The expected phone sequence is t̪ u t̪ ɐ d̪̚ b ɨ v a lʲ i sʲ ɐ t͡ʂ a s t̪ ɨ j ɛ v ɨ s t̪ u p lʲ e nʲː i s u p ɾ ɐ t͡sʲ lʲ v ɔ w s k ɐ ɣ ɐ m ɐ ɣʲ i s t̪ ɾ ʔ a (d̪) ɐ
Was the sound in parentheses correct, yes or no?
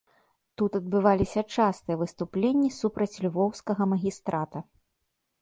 no